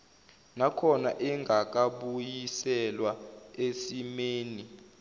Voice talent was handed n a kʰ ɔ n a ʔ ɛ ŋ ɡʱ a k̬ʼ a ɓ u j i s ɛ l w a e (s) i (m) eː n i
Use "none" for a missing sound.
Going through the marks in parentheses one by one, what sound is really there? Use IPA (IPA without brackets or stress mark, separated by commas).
s, m